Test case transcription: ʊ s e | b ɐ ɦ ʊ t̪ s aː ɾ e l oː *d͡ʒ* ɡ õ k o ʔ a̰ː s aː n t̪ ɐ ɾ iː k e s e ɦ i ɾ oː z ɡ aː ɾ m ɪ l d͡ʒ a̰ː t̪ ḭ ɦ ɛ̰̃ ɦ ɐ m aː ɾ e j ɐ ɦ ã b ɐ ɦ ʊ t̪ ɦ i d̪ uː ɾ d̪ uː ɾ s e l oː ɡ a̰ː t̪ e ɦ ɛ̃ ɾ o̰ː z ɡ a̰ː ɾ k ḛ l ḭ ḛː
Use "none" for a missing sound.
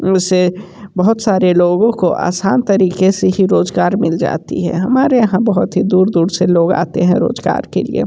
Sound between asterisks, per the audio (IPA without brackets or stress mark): none